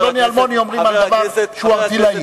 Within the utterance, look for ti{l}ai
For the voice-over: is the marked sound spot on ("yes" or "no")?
yes